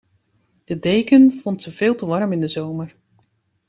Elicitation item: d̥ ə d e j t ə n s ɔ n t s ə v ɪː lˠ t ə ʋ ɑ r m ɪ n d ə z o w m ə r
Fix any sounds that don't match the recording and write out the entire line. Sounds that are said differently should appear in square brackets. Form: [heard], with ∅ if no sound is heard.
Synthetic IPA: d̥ ə d e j [k] ə n [f] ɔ n t s ə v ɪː lˠ t ə ʋ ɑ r m ɪ n d ə z o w m ə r